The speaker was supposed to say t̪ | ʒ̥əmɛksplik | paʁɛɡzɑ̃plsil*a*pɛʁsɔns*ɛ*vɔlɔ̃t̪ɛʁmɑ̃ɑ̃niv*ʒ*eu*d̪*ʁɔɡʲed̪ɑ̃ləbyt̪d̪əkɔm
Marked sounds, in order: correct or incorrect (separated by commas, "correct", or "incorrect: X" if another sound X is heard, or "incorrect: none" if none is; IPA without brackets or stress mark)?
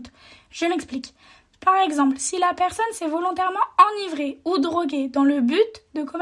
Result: correct, correct, incorrect: ʁ, correct